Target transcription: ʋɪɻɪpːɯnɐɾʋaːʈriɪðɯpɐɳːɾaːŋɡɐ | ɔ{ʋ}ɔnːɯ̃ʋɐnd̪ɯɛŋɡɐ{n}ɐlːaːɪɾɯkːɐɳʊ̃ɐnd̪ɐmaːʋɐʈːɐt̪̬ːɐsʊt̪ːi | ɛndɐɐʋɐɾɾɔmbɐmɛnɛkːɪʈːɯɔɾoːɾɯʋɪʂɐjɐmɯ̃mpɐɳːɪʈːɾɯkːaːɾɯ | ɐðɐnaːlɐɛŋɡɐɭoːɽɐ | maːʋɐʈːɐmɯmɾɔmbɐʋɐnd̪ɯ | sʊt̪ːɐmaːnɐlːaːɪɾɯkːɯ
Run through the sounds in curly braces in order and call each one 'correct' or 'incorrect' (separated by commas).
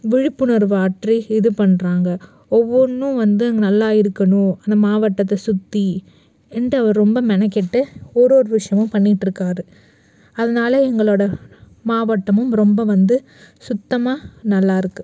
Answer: incorrect, correct